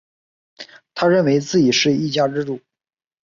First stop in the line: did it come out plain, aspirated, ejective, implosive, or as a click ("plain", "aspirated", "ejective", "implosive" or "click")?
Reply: aspirated